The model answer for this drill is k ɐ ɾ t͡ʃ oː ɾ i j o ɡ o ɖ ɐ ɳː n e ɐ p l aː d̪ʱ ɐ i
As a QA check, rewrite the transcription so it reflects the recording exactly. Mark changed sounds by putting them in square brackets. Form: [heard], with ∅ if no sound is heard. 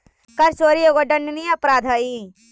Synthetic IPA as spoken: k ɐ ɾ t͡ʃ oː ɾ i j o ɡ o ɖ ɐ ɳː n [i] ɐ p [ɾ] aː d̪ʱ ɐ i